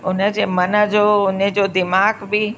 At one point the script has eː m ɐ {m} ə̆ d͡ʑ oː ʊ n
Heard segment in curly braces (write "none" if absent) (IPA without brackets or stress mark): n